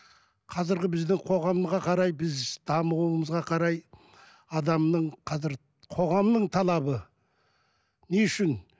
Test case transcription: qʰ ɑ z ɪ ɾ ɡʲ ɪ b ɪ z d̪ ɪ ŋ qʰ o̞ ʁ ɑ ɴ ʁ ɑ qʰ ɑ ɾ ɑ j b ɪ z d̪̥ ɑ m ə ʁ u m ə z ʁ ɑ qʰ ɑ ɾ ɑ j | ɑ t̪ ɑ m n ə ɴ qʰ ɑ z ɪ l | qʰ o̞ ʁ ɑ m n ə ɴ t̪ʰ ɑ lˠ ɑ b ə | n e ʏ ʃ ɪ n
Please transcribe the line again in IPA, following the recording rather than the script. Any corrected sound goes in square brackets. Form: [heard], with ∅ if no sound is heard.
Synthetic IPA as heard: qʰ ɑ z ɪ ɾ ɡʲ ɪ b ɪ z d̪ ɪ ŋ qʰ o̞ ʁ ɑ [m] ʁ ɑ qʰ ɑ ɾ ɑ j b ɪ z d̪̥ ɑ m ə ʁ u m ə z ʁ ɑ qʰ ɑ ɾ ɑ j | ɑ [d̪] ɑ m n ə ɴ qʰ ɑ z ɪ [ɾ] | qʰ o̞ ʁ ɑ m n ə ɴ t̪ʰ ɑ lˠ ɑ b ə | n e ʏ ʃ ɪ n

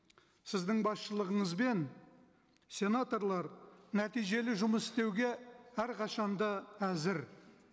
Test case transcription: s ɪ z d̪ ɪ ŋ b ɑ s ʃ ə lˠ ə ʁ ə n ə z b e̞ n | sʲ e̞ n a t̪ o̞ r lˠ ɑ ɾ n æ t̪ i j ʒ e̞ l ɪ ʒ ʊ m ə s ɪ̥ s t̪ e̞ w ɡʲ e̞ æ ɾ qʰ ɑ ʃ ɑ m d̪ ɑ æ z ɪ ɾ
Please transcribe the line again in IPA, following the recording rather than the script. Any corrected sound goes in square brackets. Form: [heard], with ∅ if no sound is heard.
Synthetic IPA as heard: s ɪ z d̪ ɪ ŋ b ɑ s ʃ ə lˠ ə ʁ ə [ɴ] ə z b e̞ n | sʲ e̞ n a t̪ o̞ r lˠ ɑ ɾ n æ t̪ i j ʒ e̞ l ɪ ʒ ʊ m ə s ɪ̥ s t̪ e̞ w ɡʲ e̞ æ ɾ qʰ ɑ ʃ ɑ [n] d̪ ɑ æ z ɪ ɾ

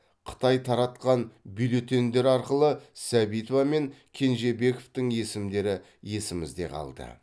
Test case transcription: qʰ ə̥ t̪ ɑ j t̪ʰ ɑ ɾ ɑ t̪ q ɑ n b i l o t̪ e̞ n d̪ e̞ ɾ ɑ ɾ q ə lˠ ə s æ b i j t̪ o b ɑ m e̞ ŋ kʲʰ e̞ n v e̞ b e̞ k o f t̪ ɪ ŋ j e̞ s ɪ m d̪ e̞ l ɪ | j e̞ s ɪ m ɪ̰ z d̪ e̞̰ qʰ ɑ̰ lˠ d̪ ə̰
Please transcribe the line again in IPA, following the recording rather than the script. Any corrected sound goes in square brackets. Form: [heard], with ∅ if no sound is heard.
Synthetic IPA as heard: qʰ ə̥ t̪ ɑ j t̪ʰ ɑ ɾ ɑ t̪ q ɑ n b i l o t̪ e̞ n d̪ e̞ ɾ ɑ ɾ q ə lˠ ə s æ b i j t̪ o [v] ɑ m e̞ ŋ kʲʰ e̞ n [ʒ] e̞ b e̞ k o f t̪ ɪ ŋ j e̞ s ɪ m d̪ e̞ [ɾ] ɪ | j e̞ s ɪ m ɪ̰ z d̪ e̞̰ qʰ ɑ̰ lˠ d̪ ə̰

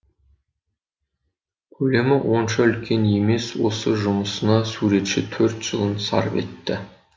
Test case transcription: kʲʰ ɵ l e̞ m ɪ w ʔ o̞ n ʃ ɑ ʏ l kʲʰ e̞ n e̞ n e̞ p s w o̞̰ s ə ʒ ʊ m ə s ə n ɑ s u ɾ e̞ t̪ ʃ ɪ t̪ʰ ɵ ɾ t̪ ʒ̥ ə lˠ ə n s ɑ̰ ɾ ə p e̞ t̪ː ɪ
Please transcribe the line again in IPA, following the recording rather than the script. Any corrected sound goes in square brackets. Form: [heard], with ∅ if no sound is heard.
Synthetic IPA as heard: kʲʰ ɵ l e̞ m ɪ w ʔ o̞ n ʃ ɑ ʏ l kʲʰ e̞ n e̞ [m] e̞ [∅] s w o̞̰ s ə ʒ ʊ m ə s ə n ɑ s u ɾ e̞ t̪ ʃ ɪ t̪ʰ ɵ ɾ t̪ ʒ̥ ə lˠ ə n s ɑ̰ ɾ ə p e̞ t̪ː ɪ

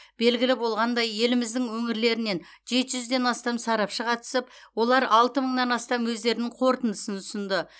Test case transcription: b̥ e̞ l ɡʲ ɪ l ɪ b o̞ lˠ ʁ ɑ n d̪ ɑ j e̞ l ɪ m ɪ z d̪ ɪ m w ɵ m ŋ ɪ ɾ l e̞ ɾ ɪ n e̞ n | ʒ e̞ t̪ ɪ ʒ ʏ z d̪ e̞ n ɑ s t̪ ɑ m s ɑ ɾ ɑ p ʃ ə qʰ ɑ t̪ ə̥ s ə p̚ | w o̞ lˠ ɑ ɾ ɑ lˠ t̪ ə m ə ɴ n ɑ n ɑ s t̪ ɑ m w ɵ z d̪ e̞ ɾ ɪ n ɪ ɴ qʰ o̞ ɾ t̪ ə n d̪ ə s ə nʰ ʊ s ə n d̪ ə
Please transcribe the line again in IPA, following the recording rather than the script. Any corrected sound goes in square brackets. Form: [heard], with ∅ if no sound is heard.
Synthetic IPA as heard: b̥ e̞ l ɡʲ ɪ l ɪ b o̞ lˠ ʁ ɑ n d̪ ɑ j e̞ l ɪ m ɪ z d̪ ɪ [ŋ] w ɵ [∅] ŋ ɪ ɾ l e̞ ɾ ɪ n e̞ n | ʒ e̞ t̪ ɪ ʒ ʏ z d̪ e̞ n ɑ s t̪ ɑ m s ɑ ɾ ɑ p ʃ ə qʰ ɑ t̪ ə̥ s ə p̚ | w o̞ lˠ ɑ ɾ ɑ lˠ t̪ ə m ə ɴ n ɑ n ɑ s t̪ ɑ m w ɵ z d̪ e̞ ɾ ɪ n ɪ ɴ qʰ o̞ ɾ t̪ ə n d̪ ə s ə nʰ ʊ s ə n d̪ ə

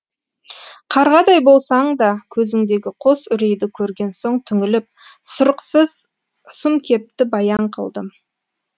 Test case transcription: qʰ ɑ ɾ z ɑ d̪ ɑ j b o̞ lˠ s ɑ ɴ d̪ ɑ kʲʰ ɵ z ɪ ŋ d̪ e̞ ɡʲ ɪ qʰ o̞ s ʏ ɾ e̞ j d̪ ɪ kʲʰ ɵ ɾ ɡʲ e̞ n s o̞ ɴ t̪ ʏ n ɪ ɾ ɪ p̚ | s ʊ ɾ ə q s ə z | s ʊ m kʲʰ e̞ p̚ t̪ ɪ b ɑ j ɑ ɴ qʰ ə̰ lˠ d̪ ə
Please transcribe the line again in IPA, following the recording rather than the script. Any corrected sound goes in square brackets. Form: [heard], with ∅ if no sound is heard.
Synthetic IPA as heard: qʰ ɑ ɾ [ʁ] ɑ d̪ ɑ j b o̞ lˠ s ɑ ɴ d̪ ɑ kʲʰ ɵ z ɪ ŋ d̪ e̞ ɡʲ ɪ qʰ o̞ s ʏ ɾ e̞ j d̪ ɪ kʲʰ ɵ ɾ ɡʲ e̞ n s o̞ ɴ [t̪ʰ] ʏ [ŋ] ɪ [l] ɪ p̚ | s ʊ ɾ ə q s ə z | s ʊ m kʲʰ e̞ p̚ t̪ ɪ b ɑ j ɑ ɴ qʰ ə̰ lˠ d̪ ə

